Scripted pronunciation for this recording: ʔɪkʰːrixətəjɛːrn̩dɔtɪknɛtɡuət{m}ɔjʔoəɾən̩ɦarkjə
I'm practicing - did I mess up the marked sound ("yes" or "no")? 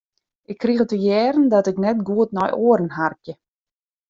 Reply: yes